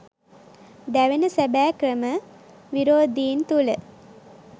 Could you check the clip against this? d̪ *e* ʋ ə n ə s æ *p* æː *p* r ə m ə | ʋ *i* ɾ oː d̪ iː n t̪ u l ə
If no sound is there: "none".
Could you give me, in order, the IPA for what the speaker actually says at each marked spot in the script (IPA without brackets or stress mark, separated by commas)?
æ, b, k, i